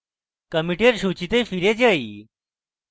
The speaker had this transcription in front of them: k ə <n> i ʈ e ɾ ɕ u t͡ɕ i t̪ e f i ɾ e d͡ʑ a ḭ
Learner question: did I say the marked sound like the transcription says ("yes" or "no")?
no